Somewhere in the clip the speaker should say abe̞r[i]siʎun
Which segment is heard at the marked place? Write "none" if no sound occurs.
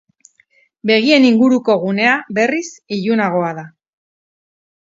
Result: i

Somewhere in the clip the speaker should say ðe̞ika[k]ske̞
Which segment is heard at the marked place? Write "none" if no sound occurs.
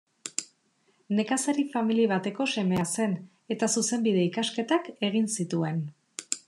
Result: none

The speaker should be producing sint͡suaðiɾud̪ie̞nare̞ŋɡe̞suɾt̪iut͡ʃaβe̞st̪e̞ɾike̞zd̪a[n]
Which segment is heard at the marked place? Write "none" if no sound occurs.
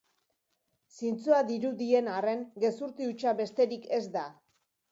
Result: none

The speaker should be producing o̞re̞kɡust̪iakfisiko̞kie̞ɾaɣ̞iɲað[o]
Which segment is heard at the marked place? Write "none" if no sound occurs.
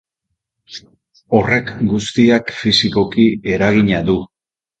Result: u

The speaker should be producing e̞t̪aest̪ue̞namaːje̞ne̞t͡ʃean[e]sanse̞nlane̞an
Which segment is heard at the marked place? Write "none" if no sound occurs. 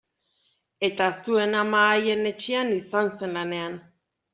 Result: i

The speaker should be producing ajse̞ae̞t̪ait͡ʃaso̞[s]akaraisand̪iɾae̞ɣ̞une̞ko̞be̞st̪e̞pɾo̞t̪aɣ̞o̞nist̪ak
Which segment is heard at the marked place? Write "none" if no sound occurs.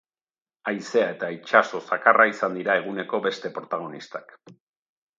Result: s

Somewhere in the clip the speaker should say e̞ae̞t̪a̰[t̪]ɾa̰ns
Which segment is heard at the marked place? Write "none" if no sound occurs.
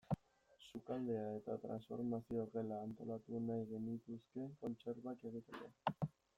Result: t̪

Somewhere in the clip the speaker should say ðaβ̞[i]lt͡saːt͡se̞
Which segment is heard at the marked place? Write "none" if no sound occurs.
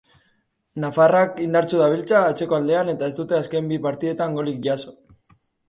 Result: i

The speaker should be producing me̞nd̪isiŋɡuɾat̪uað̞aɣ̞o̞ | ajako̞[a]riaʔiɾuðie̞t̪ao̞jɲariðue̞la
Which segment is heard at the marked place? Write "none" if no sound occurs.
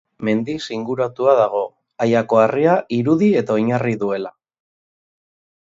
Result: a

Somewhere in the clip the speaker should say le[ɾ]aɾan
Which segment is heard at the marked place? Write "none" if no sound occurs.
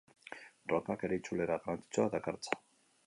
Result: ɾ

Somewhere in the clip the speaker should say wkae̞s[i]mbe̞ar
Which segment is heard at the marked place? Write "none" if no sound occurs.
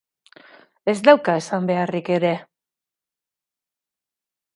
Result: a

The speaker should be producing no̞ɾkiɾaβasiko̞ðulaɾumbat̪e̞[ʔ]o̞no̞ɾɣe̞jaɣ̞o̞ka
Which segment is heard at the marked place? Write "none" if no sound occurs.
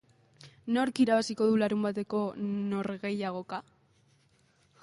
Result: k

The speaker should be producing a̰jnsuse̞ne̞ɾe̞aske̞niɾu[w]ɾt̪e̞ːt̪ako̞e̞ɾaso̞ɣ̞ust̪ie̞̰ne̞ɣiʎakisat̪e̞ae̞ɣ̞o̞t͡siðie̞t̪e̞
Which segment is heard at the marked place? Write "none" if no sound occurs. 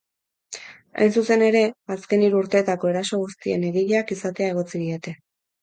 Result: u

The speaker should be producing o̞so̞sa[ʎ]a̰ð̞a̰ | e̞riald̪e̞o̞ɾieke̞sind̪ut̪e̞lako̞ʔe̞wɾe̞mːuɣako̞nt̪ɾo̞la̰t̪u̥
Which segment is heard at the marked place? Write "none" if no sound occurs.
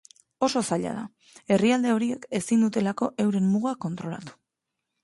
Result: ʎ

